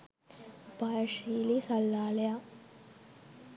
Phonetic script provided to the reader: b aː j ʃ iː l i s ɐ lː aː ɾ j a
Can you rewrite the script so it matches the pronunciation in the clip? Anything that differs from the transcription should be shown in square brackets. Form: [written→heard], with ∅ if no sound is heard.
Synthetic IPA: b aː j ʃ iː l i s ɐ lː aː [ɾ→l] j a